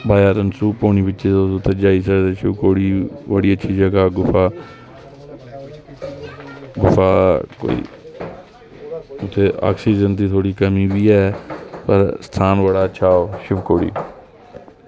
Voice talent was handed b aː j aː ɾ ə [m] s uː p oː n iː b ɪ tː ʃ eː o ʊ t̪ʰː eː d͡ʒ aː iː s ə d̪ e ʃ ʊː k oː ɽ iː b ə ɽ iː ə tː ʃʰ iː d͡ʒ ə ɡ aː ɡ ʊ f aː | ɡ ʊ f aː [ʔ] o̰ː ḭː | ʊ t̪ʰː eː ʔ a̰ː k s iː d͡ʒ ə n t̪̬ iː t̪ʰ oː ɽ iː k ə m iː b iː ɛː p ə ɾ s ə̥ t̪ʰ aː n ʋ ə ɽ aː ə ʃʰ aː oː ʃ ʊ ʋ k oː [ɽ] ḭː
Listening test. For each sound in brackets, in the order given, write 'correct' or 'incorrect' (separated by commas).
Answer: incorrect, incorrect, correct